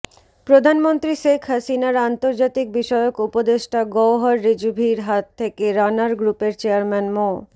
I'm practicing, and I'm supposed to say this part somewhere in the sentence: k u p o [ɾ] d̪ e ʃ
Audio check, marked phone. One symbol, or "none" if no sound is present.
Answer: none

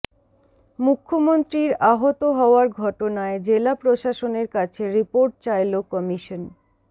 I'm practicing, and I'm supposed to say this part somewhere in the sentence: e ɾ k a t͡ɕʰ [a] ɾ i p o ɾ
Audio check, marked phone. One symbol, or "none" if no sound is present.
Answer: e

